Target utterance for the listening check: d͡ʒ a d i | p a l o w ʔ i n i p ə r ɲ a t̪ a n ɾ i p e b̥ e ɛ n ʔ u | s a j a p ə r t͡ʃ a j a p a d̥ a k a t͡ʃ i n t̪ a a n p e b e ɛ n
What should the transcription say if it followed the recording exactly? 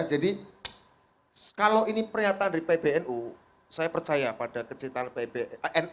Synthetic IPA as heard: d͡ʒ a d i | k a l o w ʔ i n i p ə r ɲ a t̪ a n ɾ i p e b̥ e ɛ n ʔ u | s a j a p ə r t͡ʃ a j a p a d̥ a k ə t͡ʃ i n t̪ a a n p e b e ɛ n